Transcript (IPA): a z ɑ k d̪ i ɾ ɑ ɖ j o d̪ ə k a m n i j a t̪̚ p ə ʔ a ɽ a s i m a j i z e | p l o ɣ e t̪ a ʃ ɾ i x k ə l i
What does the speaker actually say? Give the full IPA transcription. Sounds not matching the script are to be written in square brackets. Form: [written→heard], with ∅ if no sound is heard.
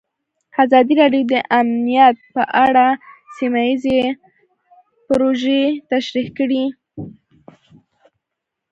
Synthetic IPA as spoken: a z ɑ [k→∅] d̪ i ɾ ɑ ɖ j o d̪ ə [k→ʔ] a m n i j a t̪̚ p ə ʔ a ɽ a s i m a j i z e | p [l→ɾ] o [ɣ→ʒ] e t̪ a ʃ ɾ i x k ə [l→ɽ] i